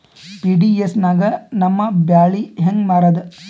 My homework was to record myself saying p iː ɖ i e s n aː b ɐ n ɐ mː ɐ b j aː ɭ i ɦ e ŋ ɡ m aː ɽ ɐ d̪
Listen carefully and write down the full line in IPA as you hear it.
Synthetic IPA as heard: p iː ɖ i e s n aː ɡ ɐ n ɐ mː ɐ b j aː ɭ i ɦ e ŋ ɡ m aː ɾ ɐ d̪